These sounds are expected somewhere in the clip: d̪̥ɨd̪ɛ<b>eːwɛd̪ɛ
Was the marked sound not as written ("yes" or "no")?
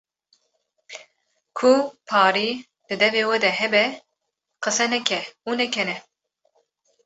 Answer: yes